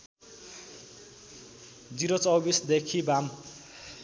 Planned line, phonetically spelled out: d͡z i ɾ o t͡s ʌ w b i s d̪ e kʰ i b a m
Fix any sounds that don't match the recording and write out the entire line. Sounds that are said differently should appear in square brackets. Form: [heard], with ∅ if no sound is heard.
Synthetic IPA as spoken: d͡z i ɾ o t͡s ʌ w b i s d̪ e kʰ i b a m